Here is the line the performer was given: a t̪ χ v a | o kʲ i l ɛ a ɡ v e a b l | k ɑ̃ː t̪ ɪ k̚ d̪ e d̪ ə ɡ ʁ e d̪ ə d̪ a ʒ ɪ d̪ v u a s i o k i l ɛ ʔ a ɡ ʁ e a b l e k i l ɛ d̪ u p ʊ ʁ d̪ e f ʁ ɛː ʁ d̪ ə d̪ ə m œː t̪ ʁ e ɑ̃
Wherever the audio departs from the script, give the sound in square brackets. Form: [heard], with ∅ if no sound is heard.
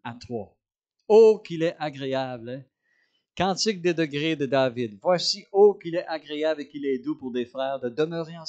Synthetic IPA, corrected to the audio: a t̪ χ [w] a | o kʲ i l ɛ a ɡ [ʁ] e a b l | k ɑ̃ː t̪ ɪ k̚ d̪ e d̪ ə ɡ ʁ e d̪ ə d̪ a [v] ɪ d̪ v [w] a s i o k i l ɛ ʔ a ɡ ʁ e a b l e k i l ɛ d̪ u p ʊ ʁ d̪ e f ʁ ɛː ʁ d̪ ə d̪ ə m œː [∅] ʁ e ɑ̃